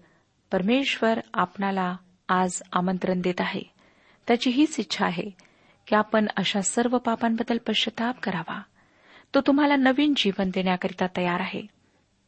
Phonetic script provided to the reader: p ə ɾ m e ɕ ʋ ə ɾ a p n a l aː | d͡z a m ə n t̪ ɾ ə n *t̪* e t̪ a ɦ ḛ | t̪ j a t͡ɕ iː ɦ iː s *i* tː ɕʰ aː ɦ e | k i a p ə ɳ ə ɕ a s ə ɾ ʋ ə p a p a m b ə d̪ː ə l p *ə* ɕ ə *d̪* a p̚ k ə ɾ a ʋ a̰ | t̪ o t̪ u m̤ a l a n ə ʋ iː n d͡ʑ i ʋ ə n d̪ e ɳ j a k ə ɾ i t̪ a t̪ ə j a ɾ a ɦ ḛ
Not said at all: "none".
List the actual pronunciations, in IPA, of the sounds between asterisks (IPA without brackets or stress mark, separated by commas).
d̪, i, ə, t̪